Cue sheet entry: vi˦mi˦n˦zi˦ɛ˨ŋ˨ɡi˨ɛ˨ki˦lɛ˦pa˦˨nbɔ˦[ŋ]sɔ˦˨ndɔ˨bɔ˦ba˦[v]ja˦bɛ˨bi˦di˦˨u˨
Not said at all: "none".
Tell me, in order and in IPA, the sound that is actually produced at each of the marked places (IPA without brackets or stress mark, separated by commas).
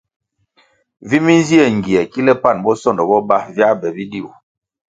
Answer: none, v